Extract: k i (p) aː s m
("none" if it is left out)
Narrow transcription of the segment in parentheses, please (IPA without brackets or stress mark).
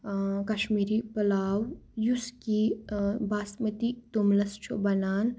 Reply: b